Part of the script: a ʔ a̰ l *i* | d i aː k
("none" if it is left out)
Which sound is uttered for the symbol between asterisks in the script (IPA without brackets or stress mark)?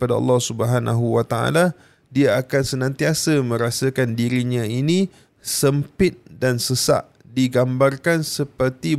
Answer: a